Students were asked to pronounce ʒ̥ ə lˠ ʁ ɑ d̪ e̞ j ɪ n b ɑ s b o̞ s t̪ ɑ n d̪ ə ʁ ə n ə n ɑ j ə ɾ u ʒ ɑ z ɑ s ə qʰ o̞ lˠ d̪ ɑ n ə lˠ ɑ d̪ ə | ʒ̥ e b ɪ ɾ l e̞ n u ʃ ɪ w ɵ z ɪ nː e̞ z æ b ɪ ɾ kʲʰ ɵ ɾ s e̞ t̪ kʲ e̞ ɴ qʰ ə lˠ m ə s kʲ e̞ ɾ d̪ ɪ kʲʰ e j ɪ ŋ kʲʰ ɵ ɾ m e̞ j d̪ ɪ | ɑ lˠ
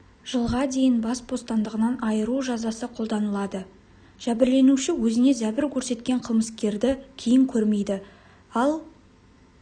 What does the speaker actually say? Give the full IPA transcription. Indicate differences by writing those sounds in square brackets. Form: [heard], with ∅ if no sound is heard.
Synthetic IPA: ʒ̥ ə lˠ ʁ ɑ d̪ e̞ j ɪ n b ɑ s b o̞ s t̪ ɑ n d̪ ə ʁ ə n [ɑ] n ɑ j ə ɾ u ʒ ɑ z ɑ s ə qʰ o̞ lˠ d̪ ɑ n ə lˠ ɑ d̪ ə | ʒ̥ [æ] b ɪ ɾ l e̞ n u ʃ ɪ w ɵ z ɪ [n] e̞ z æ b ɪ ɾ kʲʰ ɵ ɾ s e̞ t̪ kʲ e̞ ɴ qʰ ə lˠ m ə s kʲ e̞ ɾ d̪ ɪ kʲʰ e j ɪ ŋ kʲʰ ɵ ɾ m e̞ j d̪ ɪ | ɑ lˠ

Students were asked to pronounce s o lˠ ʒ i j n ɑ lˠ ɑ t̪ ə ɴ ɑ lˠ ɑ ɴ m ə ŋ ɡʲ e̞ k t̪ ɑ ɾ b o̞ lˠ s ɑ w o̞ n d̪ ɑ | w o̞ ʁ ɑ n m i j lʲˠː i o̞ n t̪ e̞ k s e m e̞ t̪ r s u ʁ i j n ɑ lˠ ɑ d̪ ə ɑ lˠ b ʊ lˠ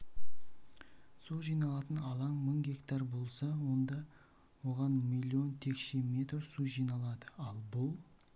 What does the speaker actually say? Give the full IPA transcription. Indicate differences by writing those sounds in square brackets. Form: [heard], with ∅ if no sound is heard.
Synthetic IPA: s o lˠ ʒ i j n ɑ lˠ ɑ t̪ ə [n] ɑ lˠ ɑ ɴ m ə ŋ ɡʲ e̞ k t̪ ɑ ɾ b o̞ lˠ s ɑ w o̞ n d̪ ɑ | w o̞ ʁ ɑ n m i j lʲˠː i o̞ n [t̪ʰ] e̞ k [ʃ] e m e̞ t̪ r s u [ʒ] i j n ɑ lˠ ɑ d̪ ə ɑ lˠ b ʊ lˠ

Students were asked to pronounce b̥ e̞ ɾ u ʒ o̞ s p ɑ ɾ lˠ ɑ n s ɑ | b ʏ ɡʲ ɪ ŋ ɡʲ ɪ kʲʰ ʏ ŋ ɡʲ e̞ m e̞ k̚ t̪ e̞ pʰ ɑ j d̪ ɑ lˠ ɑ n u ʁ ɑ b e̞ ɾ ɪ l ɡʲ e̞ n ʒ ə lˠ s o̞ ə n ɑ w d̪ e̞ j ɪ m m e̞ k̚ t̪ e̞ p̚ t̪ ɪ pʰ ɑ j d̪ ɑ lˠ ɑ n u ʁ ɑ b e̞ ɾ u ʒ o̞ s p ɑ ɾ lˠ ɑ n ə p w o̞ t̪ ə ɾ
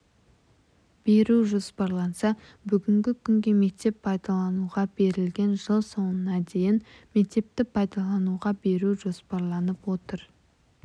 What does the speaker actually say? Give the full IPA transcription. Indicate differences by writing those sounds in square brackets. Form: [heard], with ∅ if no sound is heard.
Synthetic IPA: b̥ e̞ ɾ u ʒ o̞ s p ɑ ɾ lˠ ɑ n s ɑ | b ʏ ɡʲ ɪ ŋ ɡʲ ɪ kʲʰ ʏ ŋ ɡʲ e̞ m e̞ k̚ t̪ e̞ pʰ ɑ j d̪ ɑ lˠ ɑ n u ʁ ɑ b e̞ ɾ ɪ l ɡʲ e̞ n ʒ ə lˠ s o̞ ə n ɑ [∅] d̪ e̞ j ɪ [n] m e̞ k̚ t̪ e̞ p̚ t̪ ɪ pʰ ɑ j d̪ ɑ lˠ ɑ n u ʁ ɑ b e̞ ɾ u ʒ o̞ s p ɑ ɾ lˠ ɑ n ə p w o̞ t̪ ə ɾ

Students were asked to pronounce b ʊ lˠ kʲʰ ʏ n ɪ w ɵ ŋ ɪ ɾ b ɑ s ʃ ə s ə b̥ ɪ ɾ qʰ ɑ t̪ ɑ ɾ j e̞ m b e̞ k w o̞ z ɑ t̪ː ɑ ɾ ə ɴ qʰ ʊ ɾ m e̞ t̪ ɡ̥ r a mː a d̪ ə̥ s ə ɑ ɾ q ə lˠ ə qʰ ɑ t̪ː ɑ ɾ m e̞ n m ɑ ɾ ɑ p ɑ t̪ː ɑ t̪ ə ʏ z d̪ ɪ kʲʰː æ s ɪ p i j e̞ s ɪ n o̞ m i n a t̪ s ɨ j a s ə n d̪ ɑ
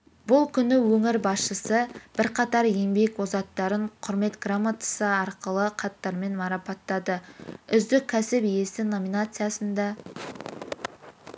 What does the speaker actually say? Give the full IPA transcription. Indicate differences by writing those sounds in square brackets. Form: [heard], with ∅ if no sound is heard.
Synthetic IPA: b ʊ lˠ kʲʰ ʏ n ɪ w ɵ ŋ ɪ ɾ b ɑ s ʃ ə s ə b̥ ɪ ɾ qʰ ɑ t̪ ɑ ɾ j e̞ m b e̞ k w o̞ z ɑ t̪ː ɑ ɾ ə ɴ qʰ ʊ ɾ m e̞ t̪ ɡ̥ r a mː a [t̪] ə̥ s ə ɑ ɾ q ə lˠ ə qʰ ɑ t̪ː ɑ ɾ m e̞ n m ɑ ɾ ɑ p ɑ t̪ː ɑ [d̪] ə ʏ z d̪ ɪ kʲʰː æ s ɪ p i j e̞ s ɪ n o̞ m i n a t̪ s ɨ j a s ə n d̪ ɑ

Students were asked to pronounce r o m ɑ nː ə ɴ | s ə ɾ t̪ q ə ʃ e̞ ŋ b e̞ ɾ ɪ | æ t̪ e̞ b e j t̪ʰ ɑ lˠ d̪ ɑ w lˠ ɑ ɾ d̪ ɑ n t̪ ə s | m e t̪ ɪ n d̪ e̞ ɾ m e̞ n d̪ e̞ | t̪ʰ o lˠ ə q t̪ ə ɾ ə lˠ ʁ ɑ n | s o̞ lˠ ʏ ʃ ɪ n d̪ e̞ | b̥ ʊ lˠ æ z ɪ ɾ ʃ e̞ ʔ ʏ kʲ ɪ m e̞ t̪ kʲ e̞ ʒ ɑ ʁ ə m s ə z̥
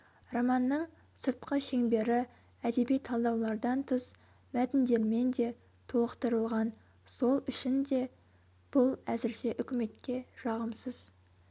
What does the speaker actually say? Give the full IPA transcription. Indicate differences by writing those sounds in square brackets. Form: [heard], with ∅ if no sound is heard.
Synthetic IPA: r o m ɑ nː ə ɴ | s ə ɾ t̪ q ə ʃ e̞ ŋ b e̞ ɾ ɪ | æ [d̪] e̞ b [i] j t̪ʰ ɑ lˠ d̪ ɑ w lˠ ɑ ɾ d̪ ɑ n [t̪ʰ] ə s | m [æ] t̪ ɪ n d̪ e̞ ɾ m e̞ n d̪ e̞ | t̪ʰ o lˠ ə q t̪ ə ɾ ə lˠ ʁ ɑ n | s o̞ lˠ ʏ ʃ ɪ n d̪ e̞ | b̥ ʊ lˠ æ z ɪ ɾ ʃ e̞ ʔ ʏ kʲ ɪ m e̞ t̪ kʲ e̞ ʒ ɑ ʁ ə m s ə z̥

